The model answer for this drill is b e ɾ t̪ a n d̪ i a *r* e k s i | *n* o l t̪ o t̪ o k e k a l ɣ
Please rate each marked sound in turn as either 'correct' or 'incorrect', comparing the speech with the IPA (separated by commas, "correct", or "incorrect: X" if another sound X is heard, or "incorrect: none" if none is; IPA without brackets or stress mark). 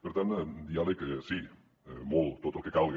incorrect: l, incorrect: m